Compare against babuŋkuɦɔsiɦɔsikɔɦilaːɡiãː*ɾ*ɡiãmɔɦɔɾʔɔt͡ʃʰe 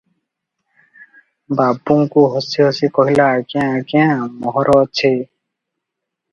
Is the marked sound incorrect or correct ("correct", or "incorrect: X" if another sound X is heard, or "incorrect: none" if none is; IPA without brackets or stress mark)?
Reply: incorrect: none